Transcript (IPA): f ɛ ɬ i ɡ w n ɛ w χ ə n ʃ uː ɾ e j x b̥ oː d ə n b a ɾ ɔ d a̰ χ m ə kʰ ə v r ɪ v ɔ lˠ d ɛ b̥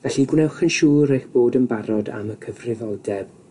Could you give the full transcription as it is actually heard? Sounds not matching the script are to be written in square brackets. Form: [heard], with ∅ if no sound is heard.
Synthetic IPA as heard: [v] ɛ ɬ i ɡ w n ɛ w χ ə n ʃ uː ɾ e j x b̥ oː d ə n b a ɾ ɔ d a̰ [∅] m ə kʰ ə v r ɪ v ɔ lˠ d ɛ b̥